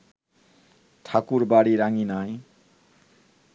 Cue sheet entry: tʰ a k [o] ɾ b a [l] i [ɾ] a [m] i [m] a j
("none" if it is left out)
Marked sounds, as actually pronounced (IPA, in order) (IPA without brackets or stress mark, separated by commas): u, ɽ, ɾ, ŋ, n